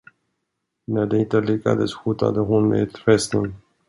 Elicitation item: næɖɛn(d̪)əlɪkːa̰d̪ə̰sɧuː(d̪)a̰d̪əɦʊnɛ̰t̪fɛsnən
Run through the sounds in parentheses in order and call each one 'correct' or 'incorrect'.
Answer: incorrect, incorrect

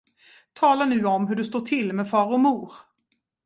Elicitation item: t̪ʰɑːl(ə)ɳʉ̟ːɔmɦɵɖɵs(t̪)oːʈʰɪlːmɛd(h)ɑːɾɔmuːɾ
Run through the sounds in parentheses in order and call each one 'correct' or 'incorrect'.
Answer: incorrect, correct, incorrect

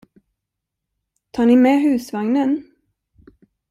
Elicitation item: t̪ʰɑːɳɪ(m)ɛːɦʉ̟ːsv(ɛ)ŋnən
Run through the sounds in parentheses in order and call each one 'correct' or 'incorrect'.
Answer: correct, incorrect

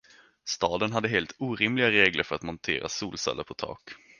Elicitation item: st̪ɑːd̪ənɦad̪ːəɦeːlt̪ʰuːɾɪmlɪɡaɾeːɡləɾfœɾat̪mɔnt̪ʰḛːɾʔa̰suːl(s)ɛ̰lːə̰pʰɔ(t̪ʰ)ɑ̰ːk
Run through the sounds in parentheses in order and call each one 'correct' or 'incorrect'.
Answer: correct, correct

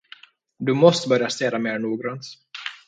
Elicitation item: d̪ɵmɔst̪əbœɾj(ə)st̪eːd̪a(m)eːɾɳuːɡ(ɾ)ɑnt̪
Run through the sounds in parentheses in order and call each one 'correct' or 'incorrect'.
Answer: incorrect, correct, correct

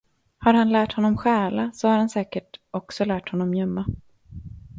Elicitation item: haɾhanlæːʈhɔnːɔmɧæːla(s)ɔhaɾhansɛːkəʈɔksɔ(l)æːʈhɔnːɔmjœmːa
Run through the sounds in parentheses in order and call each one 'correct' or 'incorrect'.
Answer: correct, correct

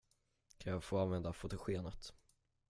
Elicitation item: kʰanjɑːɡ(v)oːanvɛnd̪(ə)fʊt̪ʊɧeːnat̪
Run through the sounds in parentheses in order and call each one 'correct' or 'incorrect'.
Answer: incorrect, incorrect

